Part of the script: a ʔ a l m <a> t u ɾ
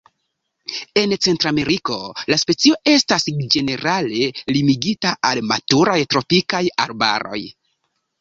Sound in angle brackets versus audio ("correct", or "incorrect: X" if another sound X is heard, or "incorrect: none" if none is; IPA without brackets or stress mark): correct